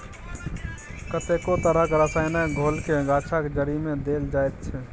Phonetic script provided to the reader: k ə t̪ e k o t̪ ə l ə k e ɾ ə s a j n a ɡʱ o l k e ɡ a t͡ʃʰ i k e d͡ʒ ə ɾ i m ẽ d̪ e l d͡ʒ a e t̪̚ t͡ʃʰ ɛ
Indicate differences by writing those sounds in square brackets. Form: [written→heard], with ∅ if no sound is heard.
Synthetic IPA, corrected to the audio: k ə t̪ e k o t̪ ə [l→ɾ] ə k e ɾ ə s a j n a ɡʱ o l k e ɡ a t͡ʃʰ [i→a] k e d͡ʒ ə ɾ i m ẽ d̪ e l d͡ʒ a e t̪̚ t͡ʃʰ ɛ